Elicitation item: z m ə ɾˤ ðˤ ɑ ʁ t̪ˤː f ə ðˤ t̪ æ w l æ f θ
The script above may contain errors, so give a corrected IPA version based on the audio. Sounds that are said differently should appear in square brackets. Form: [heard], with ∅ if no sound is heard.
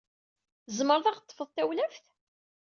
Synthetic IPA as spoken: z m ə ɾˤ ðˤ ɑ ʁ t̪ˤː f ə ðˤ t̪ æ w l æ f θ